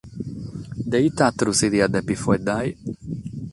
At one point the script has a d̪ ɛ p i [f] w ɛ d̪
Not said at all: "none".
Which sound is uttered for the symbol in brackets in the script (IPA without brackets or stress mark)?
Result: f